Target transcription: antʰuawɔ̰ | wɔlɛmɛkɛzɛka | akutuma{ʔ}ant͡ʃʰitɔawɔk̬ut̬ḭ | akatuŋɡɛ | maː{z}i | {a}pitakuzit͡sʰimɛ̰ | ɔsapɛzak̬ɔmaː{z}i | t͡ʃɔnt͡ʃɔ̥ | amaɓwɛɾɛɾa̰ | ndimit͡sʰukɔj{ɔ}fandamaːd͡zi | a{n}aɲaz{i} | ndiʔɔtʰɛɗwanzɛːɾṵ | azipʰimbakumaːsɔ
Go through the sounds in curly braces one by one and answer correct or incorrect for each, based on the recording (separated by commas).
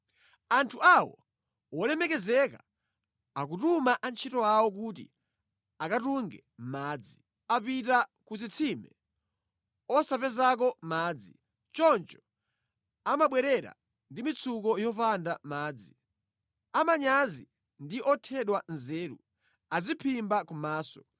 correct, incorrect, correct, incorrect, correct, incorrect, correct